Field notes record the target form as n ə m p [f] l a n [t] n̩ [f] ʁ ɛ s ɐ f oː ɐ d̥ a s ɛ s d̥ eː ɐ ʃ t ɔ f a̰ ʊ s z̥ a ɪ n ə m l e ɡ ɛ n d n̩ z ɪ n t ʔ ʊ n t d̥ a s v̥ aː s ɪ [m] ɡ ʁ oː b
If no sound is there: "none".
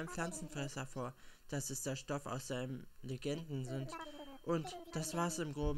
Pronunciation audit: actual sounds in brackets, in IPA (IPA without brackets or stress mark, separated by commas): f, t͡s, f, m